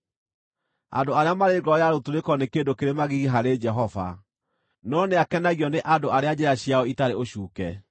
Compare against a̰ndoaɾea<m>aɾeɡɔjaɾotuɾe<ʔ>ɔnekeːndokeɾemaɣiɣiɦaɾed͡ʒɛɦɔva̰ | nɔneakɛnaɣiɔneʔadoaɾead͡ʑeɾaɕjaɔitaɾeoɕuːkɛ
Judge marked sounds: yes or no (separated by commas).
yes, no